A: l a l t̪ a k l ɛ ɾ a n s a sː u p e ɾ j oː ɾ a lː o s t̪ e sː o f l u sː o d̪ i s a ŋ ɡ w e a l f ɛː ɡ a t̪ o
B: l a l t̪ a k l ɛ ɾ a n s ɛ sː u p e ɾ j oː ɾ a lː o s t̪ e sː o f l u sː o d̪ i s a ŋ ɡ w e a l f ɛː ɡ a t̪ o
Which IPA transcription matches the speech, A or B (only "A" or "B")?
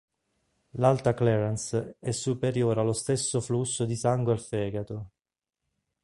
B